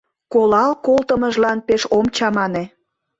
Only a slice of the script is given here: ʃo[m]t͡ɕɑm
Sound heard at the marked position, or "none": m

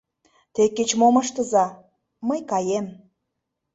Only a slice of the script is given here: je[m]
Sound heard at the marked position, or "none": m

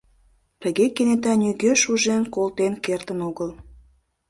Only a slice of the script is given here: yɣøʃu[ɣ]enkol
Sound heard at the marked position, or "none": ʒ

